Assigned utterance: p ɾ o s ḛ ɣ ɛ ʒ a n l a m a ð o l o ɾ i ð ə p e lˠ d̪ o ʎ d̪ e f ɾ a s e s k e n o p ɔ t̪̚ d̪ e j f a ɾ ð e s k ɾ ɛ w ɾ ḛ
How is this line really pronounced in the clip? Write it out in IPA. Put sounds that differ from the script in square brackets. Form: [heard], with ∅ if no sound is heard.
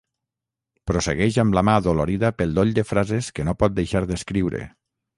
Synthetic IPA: p ɾ o s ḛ ɣ ɛ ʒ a [m] l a m a ð o l o ɾ i ð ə p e lˠ d̪ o ʎ d̪ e f ɾ a [z] e s k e n o p ɔ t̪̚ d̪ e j [ʃ] a ɾ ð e s k ɾ [i] w ɾ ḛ